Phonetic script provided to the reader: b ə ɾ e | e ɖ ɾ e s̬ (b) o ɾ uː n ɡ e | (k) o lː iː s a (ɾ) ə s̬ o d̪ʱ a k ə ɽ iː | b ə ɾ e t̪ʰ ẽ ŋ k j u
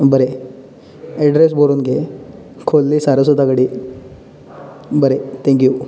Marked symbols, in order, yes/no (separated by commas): yes, no, yes